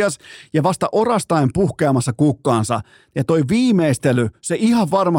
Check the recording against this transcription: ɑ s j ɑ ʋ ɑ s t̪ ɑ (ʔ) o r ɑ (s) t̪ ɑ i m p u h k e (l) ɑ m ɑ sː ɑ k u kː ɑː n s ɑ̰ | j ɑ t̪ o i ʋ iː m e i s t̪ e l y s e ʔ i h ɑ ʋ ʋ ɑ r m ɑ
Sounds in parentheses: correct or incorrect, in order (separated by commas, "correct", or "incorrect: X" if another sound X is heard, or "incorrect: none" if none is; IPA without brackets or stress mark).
correct, correct, incorrect: none